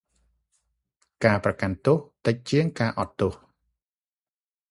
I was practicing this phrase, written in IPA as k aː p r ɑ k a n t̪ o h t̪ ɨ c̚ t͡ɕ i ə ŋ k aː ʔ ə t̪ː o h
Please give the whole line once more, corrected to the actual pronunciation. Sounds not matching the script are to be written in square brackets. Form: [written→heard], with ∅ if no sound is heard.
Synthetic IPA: k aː p r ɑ k a n t̪ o h t̪ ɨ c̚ t͡ɕ i ə ŋ k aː ʔ [ə→ɑ] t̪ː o h